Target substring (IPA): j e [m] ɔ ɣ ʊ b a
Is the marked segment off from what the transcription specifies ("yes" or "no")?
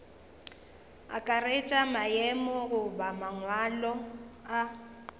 no